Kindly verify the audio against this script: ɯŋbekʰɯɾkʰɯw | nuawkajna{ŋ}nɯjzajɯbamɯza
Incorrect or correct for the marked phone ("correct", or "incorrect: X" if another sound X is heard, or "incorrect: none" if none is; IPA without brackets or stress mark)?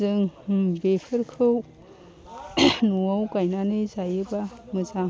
incorrect: none